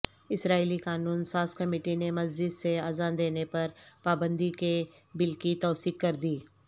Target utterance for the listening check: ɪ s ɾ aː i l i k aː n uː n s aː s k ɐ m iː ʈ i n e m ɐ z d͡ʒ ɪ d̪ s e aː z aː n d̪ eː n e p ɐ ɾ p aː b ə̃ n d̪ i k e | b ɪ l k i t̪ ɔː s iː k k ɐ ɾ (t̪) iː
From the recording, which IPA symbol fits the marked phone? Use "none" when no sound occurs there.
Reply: d̪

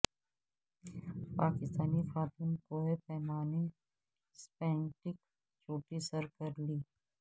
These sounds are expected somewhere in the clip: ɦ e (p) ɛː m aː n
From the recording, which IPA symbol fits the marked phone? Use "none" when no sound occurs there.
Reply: p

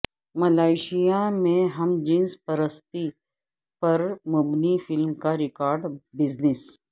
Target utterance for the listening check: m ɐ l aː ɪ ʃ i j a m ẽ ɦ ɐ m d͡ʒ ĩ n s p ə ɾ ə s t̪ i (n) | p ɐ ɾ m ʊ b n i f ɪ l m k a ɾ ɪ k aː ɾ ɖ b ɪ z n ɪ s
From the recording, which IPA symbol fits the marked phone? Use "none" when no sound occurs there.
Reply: none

